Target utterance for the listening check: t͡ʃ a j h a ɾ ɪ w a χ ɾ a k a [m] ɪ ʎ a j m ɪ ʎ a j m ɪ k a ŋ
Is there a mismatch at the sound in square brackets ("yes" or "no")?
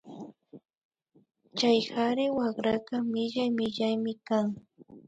no